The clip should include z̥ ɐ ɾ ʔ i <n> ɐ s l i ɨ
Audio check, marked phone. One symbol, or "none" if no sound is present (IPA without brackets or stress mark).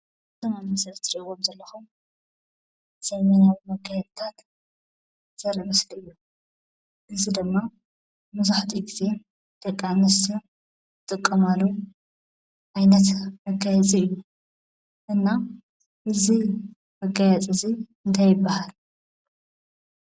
m